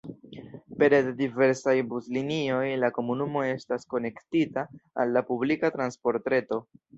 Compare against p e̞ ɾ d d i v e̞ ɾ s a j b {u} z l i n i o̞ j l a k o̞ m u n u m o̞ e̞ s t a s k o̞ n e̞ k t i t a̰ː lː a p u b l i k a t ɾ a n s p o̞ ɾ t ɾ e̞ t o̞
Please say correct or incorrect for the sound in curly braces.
correct